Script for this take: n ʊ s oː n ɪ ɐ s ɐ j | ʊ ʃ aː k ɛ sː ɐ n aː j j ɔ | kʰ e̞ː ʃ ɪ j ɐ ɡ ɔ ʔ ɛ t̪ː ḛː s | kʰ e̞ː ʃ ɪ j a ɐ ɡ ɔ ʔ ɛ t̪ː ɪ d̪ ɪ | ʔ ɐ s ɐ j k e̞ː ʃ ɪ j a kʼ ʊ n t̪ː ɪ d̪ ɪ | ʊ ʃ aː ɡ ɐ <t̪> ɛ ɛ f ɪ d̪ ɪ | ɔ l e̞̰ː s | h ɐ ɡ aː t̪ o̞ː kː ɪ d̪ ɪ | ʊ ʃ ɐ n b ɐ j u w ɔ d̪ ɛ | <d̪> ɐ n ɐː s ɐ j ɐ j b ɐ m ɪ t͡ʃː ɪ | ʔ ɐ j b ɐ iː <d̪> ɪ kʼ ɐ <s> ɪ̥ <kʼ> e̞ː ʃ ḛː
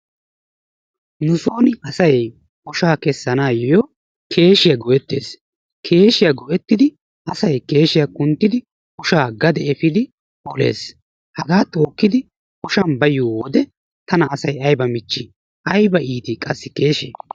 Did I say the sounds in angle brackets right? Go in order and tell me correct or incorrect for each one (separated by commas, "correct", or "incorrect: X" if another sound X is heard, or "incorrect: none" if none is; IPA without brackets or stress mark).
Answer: incorrect: d̪, incorrect: t̪, incorrect: t̪, incorrect: sː, incorrect: k